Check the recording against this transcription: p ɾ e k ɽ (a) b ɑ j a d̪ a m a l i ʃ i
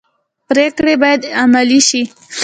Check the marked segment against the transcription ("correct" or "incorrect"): incorrect